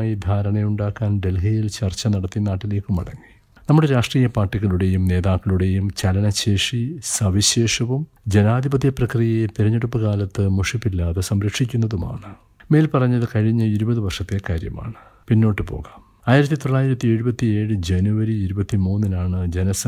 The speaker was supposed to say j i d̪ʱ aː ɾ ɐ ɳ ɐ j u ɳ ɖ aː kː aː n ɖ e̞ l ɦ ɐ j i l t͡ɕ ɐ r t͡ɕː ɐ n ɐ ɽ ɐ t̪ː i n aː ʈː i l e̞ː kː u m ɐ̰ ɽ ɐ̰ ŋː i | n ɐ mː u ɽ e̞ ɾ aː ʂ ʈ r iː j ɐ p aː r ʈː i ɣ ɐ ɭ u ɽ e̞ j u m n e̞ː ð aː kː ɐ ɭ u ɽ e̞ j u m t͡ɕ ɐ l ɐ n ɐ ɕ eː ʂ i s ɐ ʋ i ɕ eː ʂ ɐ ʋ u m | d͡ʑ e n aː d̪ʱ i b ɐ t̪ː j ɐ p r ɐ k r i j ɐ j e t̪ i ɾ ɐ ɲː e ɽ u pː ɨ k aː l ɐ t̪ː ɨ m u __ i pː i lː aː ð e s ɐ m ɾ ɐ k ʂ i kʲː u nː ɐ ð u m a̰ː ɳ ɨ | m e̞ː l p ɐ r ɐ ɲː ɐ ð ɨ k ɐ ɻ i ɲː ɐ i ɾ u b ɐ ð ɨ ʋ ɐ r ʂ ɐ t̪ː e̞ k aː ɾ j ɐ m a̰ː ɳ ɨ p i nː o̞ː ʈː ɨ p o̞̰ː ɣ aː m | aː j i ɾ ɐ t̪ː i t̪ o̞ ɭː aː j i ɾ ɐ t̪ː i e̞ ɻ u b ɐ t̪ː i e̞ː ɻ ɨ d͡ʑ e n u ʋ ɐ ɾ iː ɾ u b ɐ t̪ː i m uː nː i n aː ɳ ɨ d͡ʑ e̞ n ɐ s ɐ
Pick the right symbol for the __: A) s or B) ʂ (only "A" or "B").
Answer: B